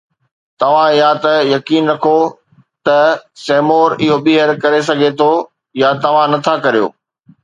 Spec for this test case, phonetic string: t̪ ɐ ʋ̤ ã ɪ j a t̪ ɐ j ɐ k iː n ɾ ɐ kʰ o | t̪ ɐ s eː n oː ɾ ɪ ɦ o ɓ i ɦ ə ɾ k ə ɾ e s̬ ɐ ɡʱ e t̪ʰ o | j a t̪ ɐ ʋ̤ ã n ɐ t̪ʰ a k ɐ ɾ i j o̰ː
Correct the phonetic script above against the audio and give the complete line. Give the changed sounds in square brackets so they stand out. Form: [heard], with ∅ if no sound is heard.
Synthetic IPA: t̪ ɐ ʋ̤ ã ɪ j a t̪ ɐ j ɐ k iː n ɾ ɐ kʰ o | t̪ ɐ s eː [m] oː ɾ ɪ ɦ o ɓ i ɦ ə ɾ k [ɐ] ɾ e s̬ ɐ ɡʱ e t̪ʰ o | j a t̪ ɐ ʋ̤ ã n ɐ t̪ʰ a k ɐ ɾ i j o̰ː